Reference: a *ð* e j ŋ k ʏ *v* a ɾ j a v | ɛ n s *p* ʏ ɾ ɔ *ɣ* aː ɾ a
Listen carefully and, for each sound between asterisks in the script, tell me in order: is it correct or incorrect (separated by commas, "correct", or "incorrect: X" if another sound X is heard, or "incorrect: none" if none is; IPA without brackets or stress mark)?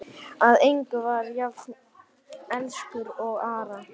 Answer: correct, correct, incorrect: k, correct